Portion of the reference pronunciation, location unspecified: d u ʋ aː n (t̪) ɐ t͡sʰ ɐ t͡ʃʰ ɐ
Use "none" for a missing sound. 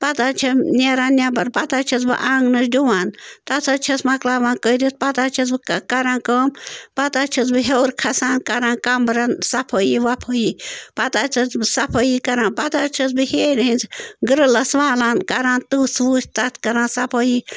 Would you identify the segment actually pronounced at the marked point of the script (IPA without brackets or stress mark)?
t̪